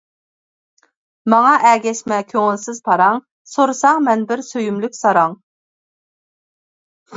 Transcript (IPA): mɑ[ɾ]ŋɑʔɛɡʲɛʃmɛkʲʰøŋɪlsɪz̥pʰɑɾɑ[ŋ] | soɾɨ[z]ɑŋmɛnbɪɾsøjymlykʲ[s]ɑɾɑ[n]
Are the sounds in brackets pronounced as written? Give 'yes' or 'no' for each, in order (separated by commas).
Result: no, yes, no, yes, no